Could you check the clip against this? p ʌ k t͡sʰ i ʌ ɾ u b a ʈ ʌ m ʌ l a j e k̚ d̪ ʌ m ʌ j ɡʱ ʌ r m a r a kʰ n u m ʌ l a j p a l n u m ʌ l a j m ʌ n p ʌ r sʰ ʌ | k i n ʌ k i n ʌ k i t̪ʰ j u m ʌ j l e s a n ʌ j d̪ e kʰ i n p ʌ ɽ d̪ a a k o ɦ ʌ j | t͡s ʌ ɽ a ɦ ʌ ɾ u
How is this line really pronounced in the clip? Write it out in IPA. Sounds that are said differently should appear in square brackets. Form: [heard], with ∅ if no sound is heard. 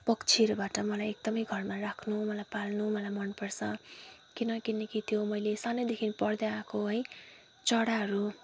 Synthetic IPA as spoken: p ʌ k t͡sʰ i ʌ ɾ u b a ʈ ʌ m ʌ l a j e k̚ d̪ ʌ m ʌ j ɡʱ ʌ r m a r a kʰ n u m ʌ l a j p a l n u m ʌ l a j m ʌ n p ʌ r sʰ ʌ | k i n ʌ k i n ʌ k i t̪ʰ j [o] m ʌ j l e s a n ʌ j d̪ e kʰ i n p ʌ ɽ d̪ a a k o ɦ ʌ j | t͡s ʌ ɽ a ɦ ʌ ɾ u